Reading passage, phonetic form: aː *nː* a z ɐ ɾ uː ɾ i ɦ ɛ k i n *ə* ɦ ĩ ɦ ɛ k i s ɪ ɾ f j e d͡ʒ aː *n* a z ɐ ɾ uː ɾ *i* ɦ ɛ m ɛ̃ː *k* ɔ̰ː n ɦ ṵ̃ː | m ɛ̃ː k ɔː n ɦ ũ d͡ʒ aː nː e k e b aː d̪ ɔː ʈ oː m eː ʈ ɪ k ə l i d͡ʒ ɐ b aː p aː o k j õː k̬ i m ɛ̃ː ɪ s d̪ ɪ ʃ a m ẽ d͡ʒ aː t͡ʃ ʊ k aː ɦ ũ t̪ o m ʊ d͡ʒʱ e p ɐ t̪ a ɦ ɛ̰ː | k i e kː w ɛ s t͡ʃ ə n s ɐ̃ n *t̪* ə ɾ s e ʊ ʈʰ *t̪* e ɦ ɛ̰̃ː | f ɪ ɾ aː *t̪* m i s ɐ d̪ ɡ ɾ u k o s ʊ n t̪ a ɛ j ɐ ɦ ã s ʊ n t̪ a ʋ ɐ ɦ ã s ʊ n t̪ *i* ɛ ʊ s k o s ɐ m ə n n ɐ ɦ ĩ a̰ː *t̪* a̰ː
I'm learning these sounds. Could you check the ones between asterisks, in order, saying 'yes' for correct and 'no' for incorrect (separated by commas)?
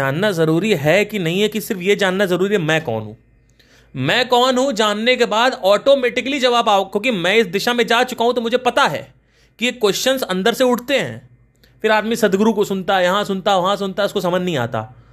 yes, no, no, yes, yes, no, yes, no, no, yes